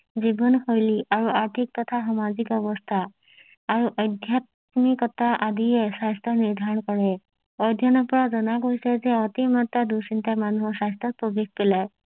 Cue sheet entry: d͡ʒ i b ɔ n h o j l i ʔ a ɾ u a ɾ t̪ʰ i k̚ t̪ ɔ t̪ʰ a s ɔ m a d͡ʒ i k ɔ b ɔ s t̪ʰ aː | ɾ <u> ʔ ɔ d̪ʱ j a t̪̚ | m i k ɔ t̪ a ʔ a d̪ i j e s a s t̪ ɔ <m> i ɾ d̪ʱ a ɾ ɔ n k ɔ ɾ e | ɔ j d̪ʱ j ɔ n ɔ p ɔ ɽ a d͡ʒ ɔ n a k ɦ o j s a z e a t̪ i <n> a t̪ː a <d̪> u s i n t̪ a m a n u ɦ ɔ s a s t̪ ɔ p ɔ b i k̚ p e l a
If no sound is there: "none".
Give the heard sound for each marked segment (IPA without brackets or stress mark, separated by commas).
u, n, m, d̪